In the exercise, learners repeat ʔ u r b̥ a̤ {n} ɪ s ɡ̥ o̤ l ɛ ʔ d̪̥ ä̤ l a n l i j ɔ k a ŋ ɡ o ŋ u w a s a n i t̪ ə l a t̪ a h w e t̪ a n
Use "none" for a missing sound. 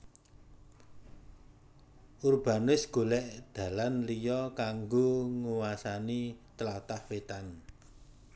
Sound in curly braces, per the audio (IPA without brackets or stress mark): n